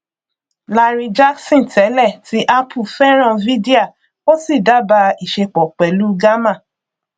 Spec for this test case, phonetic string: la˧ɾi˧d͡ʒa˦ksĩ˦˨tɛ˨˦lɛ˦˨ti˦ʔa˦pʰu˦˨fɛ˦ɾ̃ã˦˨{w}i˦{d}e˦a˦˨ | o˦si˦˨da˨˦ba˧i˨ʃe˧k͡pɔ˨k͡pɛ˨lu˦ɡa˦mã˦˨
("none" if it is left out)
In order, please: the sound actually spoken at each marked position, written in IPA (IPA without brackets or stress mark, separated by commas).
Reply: v, d